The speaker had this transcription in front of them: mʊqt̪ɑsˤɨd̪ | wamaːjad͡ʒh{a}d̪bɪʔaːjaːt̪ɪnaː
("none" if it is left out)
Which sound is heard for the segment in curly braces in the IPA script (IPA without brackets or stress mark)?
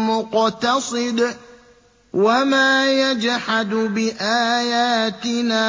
a